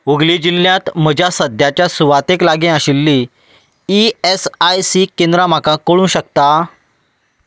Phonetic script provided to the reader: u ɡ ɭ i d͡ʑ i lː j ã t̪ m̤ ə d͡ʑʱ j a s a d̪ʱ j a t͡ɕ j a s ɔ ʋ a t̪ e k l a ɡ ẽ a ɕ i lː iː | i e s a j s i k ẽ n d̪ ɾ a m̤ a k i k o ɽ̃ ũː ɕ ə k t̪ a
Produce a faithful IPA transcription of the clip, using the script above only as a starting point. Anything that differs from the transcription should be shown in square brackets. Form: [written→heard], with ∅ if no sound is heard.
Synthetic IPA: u ɡ [ɭ→l] i d͡ʑ i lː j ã t̪ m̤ ə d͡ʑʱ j a s [a→ə] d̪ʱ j a t͡ɕ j a s [ɔ→u] ʋ a t̪ e k l a ɡ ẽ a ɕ i lː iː | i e s a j s i k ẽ n d̪ ɾ a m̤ a k [i→a] k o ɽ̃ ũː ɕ ə k t̪ a